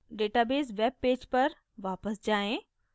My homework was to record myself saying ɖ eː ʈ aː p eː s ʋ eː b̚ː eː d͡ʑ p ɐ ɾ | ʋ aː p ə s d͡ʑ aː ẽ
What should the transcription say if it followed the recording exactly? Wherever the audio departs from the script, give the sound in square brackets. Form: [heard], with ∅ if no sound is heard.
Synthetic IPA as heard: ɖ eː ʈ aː [b] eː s ʋ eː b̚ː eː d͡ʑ p ɐ ɾ | ʋ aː p ə s d͡ʑ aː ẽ